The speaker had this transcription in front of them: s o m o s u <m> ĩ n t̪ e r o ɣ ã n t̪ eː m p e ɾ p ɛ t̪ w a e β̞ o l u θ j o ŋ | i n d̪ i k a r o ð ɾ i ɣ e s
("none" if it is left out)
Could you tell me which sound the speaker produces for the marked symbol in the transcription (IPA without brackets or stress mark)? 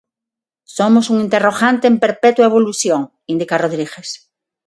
ŋ